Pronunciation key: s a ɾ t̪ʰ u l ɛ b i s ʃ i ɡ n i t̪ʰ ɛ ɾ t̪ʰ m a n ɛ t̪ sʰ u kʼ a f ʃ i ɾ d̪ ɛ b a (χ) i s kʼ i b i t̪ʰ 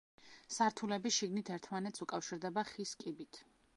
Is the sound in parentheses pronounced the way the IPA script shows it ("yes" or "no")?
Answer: yes